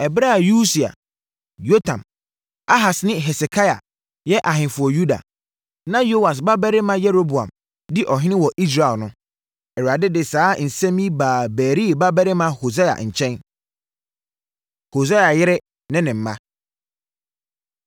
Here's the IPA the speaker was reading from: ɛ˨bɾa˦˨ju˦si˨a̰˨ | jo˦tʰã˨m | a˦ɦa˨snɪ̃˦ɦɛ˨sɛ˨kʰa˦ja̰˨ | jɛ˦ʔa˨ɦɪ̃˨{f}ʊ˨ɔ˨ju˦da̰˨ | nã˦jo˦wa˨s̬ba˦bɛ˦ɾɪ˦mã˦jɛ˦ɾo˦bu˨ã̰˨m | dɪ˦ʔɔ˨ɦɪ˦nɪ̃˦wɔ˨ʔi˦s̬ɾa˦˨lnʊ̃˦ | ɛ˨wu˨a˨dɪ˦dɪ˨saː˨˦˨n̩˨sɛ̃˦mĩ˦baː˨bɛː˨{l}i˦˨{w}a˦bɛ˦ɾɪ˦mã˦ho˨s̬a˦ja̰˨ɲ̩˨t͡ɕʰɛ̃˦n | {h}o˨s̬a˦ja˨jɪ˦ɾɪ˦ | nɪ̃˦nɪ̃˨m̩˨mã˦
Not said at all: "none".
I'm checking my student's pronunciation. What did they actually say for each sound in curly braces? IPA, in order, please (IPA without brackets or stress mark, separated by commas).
f, ɾ, b, h